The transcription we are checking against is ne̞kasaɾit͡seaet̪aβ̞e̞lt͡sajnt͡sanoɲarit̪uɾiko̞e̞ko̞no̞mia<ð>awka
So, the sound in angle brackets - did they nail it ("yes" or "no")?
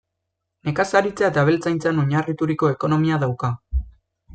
yes